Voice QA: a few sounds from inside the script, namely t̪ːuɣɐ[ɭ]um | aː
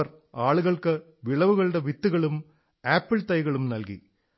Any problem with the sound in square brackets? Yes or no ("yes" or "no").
no